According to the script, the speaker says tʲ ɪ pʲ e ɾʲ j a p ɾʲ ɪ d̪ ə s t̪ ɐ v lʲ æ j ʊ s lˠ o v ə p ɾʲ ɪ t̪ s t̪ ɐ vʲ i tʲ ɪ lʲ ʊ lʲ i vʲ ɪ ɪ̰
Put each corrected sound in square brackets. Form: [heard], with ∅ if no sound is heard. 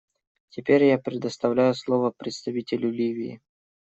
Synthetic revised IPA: tʲ ɪ pʲ e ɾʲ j a p ɾʲ ɪ d̪ ə s t̪ ɐ v lʲ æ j ʊ s lˠ o v ə p ɾʲ ɪ t̪ s t̪ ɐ vʲ i tʲ ɪ lʲ ʊ lʲ i vʲ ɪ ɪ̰